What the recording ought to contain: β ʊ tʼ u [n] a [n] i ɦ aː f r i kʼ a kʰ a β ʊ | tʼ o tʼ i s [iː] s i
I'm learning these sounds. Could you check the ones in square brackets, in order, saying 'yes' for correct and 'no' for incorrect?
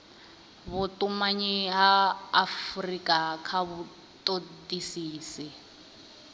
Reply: no, no, yes

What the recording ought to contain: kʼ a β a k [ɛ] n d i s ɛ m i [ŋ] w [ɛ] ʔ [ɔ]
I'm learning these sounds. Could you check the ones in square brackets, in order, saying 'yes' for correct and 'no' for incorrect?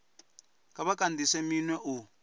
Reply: no, no, yes, no

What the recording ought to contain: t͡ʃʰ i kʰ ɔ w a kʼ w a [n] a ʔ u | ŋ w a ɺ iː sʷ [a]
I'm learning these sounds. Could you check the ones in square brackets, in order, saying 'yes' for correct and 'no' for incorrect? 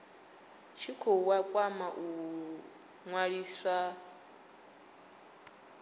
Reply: no, yes

